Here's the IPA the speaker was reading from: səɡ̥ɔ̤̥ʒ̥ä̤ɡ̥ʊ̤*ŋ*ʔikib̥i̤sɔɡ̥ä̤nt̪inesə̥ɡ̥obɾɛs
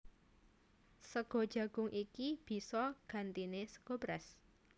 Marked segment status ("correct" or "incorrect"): correct